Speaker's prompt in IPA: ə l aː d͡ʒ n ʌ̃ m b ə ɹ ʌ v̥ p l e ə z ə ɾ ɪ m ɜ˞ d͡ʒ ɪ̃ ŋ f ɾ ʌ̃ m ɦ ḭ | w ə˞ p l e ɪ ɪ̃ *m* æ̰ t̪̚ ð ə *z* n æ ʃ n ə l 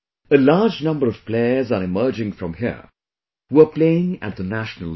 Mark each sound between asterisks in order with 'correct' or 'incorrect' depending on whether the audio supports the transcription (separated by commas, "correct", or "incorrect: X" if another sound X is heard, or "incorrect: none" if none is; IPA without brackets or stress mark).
incorrect: ŋ, incorrect: none